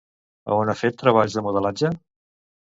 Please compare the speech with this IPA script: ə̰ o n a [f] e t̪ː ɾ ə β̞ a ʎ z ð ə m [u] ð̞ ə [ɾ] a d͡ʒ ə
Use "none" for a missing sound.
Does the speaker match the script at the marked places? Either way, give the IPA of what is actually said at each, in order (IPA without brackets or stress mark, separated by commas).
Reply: f, u, l